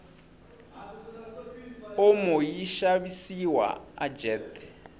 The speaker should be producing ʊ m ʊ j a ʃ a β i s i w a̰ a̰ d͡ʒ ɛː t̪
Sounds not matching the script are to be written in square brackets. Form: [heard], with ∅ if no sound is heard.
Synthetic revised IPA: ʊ m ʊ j [i] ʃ a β i s i w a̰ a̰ d͡ʒ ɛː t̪